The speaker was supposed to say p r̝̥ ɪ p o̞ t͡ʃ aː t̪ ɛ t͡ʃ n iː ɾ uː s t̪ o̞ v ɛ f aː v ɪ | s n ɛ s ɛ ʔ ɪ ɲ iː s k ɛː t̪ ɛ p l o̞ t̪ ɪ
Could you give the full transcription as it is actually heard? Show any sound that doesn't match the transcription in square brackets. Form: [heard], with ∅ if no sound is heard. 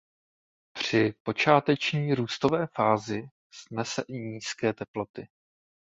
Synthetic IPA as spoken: p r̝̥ ɪ p o̞ t͡ʃ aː t̪ ɛ t͡ʃ [ɲ] iː ɾ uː s t̪ o̞ v [ɛː] f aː [z] ɪ | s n ɛ s ɛ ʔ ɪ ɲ iː s k ɛː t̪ ɛ p l o̞ t̪ ɪ